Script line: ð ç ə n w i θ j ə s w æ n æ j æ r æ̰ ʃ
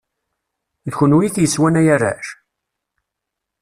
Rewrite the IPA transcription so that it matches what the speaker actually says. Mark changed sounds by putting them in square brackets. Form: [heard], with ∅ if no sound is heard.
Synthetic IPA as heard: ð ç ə n w i θ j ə s w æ n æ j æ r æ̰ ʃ